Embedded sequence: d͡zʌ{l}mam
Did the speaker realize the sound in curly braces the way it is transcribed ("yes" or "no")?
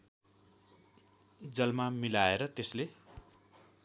yes